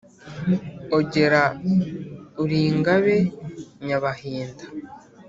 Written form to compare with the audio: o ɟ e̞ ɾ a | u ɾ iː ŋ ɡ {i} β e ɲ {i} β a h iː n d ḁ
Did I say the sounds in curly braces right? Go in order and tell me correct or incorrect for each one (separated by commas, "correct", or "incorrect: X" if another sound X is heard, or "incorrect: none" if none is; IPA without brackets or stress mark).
incorrect: a, incorrect: a